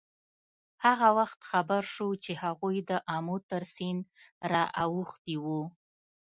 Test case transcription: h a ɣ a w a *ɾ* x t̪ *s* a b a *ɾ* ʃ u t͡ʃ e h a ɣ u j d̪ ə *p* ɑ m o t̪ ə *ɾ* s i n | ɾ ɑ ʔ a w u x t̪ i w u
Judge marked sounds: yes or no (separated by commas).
no, no, yes, no, yes